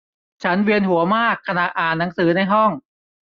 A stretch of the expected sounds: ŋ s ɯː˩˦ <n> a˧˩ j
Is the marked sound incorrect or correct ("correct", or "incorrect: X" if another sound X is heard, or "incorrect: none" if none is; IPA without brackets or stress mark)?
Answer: correct